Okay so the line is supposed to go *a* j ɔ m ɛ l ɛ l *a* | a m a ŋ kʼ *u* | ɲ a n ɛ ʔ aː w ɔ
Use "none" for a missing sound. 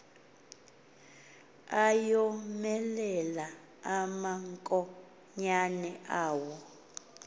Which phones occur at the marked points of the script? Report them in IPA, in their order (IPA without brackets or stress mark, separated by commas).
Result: a, a, ɔ